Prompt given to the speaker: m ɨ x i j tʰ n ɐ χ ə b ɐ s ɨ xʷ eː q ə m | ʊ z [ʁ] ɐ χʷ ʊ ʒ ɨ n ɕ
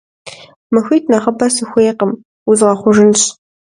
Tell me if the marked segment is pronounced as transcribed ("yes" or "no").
yes